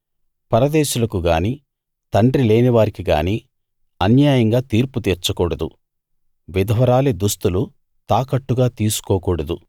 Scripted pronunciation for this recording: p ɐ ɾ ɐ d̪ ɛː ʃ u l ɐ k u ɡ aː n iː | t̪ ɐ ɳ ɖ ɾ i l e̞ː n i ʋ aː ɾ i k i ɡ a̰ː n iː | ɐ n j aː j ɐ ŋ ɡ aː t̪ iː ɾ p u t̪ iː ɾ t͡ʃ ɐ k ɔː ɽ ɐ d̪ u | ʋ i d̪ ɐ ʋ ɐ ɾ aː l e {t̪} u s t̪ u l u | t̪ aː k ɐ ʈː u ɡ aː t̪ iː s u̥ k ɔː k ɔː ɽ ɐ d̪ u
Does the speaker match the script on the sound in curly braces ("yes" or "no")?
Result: no